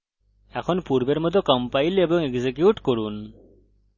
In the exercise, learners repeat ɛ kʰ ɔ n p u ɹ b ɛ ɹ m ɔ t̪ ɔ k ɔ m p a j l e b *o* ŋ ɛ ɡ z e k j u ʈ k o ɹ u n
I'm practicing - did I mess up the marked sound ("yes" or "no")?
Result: yes